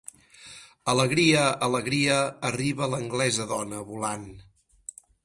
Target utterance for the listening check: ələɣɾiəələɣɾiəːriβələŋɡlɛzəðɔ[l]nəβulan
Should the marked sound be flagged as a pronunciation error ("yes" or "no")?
yes